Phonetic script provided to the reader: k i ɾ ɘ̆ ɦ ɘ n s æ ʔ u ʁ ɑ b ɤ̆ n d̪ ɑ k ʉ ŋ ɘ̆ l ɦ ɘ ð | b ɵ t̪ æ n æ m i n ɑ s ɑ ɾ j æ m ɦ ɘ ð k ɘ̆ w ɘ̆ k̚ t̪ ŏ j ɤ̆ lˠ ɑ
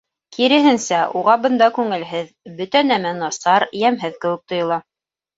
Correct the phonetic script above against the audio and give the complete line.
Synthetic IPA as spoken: k i ɾ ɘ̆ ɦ ɘ n s æ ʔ u ʁ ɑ b ɤ̆ n d̪ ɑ k ʉ ŋ ɘ̆ l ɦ ɘ ð | b ɵ t̪ æ n æ m æ n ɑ s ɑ ɾ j æ m ɦ ɘ ð k ɘ̆ w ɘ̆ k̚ t̪ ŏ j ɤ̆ lˠ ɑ